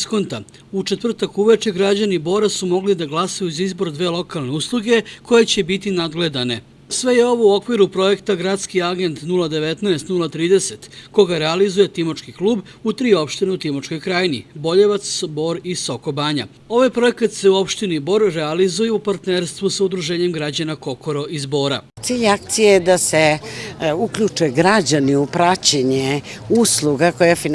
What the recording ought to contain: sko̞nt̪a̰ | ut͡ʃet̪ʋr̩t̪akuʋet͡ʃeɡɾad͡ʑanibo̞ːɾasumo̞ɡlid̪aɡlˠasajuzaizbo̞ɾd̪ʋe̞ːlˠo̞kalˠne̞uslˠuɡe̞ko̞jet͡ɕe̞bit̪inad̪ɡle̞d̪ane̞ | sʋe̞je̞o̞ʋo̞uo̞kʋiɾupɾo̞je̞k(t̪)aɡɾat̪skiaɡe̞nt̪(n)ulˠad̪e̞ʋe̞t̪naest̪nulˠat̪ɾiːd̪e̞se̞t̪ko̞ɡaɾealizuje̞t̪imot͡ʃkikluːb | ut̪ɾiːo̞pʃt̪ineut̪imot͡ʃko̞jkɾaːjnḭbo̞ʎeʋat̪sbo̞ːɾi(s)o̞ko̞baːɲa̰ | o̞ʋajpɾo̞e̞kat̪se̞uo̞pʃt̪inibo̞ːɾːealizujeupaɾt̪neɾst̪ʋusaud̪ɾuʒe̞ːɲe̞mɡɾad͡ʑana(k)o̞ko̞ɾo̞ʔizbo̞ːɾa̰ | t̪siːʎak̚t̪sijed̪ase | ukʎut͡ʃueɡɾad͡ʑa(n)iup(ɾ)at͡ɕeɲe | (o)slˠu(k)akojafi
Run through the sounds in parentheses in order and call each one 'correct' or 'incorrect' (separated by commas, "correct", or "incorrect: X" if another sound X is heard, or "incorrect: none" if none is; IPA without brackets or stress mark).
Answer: correct, correct, correct, correct, correct, correct, incorrect: u, incorrect: ɡ